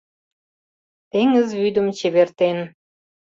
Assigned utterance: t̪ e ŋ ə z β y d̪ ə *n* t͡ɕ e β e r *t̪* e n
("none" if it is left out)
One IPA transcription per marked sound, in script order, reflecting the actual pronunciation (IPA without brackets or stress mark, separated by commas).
m, t̪